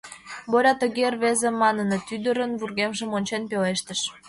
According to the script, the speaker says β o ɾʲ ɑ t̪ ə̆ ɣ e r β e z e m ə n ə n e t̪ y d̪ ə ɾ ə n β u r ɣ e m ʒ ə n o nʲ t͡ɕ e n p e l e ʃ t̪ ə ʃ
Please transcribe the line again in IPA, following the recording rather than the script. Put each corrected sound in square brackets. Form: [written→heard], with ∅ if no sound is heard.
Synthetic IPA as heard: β o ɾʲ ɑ t̪ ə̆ ɣ e r β e z e m [ə→ɑ] n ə n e t̪ y d̪ ə ɾ ə n β u r ɣ e m ʒ ə [n→m] o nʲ t͡ɕ e n p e l e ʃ t̪ ə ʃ